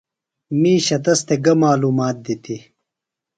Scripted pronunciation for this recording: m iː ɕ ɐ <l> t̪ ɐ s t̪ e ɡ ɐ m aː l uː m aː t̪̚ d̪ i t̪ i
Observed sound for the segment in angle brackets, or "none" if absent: none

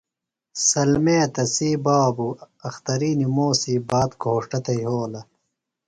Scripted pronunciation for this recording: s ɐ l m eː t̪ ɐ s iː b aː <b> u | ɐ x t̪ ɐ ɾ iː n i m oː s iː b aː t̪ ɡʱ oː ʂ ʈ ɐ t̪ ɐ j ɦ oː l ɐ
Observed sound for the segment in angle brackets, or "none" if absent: b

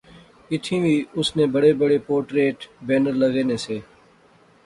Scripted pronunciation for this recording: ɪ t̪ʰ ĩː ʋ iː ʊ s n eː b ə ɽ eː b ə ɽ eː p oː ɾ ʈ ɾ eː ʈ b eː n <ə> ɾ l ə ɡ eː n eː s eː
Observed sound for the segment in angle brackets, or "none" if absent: ə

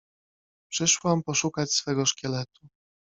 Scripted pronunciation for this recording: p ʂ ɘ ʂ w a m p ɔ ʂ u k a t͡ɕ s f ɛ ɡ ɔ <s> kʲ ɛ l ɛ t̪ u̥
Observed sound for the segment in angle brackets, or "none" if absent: ʂ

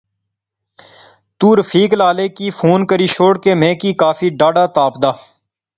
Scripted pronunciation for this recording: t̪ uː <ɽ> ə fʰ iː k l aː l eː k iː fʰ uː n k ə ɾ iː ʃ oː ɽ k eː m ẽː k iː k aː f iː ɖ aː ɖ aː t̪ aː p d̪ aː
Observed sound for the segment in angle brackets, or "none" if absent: ɾ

